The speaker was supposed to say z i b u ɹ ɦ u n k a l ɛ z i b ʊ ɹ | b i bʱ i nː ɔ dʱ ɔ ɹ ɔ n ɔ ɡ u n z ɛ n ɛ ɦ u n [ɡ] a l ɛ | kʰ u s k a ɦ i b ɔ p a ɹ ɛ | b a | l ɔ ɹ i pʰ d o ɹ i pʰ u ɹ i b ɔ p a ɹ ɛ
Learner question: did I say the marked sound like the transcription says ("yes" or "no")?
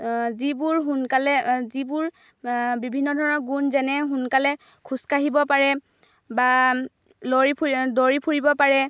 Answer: no